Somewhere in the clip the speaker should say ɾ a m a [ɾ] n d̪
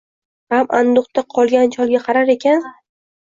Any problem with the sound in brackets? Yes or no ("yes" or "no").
yes